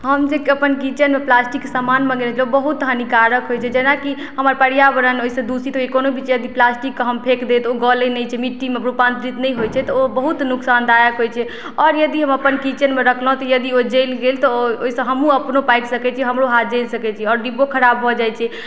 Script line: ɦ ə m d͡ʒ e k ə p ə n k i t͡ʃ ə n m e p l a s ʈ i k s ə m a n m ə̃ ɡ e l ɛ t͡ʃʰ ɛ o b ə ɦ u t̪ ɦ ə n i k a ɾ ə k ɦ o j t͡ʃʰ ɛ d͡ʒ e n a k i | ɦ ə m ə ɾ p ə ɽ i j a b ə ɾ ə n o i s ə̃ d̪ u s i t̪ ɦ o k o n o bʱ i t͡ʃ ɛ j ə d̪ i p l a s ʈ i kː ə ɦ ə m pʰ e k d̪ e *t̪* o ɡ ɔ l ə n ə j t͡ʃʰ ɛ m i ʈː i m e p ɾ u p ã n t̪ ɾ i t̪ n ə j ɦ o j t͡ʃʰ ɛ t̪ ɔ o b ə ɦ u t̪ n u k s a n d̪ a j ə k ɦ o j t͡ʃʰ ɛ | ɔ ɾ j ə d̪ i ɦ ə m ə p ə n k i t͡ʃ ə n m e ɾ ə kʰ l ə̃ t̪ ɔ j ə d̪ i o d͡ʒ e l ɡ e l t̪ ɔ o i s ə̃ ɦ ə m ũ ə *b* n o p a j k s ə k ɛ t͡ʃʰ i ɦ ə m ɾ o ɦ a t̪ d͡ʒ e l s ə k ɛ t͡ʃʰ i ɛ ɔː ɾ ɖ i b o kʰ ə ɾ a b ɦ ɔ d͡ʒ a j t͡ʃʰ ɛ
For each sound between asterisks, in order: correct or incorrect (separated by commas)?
correct, incorrect